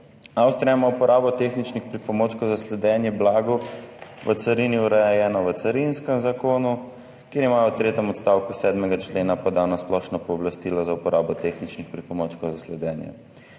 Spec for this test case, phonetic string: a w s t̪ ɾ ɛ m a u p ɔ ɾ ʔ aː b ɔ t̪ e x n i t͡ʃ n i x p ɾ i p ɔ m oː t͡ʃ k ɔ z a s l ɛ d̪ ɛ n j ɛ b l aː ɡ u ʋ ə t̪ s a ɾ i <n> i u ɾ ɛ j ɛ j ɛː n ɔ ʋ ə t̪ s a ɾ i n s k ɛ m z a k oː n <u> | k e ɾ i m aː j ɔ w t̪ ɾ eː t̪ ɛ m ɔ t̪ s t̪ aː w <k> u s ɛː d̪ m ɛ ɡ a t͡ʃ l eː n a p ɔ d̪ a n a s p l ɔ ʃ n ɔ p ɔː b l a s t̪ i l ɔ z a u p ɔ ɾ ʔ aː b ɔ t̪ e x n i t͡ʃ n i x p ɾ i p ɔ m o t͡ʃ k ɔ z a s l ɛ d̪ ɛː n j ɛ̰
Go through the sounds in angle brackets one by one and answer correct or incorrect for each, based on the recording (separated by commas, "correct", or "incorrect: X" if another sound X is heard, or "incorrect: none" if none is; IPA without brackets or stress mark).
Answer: correct, correct, correct